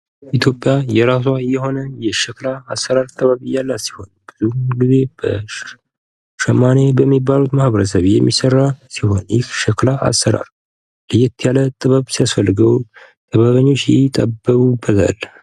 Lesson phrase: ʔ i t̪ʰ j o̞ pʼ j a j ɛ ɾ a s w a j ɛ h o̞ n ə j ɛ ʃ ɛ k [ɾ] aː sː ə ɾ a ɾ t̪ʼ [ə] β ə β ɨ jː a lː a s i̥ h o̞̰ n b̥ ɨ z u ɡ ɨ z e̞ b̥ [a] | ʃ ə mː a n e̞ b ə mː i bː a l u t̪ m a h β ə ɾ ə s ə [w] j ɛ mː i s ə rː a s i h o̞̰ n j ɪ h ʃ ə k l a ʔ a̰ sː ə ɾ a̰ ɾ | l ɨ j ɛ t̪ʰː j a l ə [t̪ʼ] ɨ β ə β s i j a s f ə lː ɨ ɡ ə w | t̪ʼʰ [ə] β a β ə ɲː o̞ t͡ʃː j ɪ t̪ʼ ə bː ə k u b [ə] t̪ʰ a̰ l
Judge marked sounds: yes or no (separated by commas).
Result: no, yes, no, no, yes, yes, yes